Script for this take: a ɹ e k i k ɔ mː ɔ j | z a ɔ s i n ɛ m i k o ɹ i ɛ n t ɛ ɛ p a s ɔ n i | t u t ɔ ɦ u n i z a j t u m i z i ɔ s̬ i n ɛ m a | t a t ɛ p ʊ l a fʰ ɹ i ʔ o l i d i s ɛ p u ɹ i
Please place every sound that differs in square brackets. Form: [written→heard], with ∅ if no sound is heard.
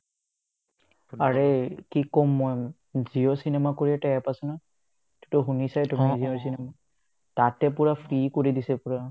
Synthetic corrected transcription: a ɹ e k i k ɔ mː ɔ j | z [a→i] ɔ s i n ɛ m [i→a] k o ɹ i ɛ [n→∅] t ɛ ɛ p a s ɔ n [i→a] | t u t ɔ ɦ u n i [z→s] a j t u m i z i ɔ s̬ i n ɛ m a | t a t ɛ p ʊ [l→ɹ] a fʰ ɹ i [ʔ→k] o [l→ɹ] i d i s ɛ p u ɹ [i→a]